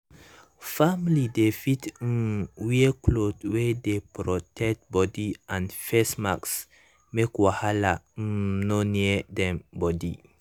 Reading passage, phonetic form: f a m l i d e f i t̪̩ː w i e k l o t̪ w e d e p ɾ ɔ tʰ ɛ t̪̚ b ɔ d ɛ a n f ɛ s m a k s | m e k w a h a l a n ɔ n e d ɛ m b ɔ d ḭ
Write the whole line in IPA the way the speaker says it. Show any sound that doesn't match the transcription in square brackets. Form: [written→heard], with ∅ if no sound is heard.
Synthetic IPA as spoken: f a m l i d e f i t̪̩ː w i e k l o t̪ w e d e p ɾ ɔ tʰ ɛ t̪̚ b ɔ d [ɛ→i] a n f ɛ s m a k s | m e k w a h a l a n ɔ n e d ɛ m b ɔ d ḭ